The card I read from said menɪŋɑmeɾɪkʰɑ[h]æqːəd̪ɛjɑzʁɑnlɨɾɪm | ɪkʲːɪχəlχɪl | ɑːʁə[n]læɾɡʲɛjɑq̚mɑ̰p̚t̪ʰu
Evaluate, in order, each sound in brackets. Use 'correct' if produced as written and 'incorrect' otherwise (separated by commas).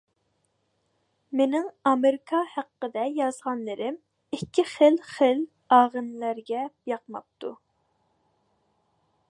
correct, correct